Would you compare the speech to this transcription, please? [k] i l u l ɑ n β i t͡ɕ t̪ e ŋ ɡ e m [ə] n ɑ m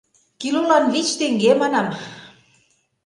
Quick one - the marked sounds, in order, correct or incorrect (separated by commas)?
correct, incorrect